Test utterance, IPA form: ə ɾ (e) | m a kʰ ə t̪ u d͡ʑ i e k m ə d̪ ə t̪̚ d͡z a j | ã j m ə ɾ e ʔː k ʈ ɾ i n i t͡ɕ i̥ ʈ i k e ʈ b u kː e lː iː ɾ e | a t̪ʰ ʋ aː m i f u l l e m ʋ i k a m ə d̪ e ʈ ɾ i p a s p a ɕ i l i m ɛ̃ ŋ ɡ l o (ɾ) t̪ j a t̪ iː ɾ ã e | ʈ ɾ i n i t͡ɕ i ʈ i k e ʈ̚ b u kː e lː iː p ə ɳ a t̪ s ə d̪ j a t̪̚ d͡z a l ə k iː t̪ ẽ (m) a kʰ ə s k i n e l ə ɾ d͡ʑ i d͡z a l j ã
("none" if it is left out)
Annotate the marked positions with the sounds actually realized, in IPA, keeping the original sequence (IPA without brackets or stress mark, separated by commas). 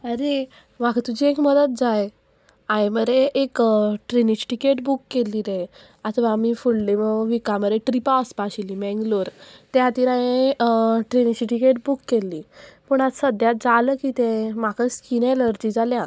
e, ɾ, m